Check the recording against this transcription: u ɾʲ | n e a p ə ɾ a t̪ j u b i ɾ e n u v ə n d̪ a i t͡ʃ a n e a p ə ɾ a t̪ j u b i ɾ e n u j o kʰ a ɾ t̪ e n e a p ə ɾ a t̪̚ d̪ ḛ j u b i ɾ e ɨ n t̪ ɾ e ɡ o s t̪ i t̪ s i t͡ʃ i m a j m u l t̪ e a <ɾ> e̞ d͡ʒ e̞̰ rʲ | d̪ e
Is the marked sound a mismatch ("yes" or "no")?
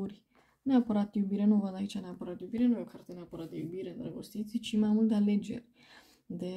yes